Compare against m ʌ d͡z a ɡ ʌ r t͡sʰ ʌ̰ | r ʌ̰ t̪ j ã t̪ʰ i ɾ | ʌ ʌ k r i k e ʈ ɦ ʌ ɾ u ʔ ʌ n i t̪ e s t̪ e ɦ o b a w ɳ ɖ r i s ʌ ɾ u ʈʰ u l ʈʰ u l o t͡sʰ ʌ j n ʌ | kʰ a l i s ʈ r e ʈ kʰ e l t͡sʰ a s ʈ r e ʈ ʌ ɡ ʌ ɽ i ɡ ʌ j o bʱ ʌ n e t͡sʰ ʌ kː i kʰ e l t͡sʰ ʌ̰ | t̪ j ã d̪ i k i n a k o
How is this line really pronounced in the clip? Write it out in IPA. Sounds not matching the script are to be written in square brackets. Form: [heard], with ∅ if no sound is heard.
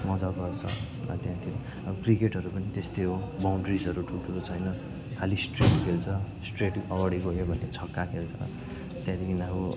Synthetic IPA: m ʌ d͡z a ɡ ʌ r t͡sʰ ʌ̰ | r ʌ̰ t̪ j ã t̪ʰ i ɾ | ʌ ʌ k r i k e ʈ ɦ ʌ ɾ u [p] ʌ n i t̪ e s t̪ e ɦ o b a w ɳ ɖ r i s ʌ ɾ u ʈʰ u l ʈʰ u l o t͡sʰ ʌ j n ʌ | kʰ a l i s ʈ r e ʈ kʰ e l t͡sʰ [ʌ] s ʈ r e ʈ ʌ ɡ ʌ ɽ i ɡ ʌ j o bʱ ʌ n e t͡sʰ ʌ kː [a] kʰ e l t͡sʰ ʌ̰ | t̪ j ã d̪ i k i n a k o